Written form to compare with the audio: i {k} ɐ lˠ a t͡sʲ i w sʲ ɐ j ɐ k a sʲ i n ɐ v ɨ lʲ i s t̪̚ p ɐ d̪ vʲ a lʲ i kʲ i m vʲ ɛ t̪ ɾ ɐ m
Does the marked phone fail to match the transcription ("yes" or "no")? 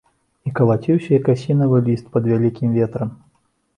no